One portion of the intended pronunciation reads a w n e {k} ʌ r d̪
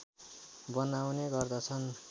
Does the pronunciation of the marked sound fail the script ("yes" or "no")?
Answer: yes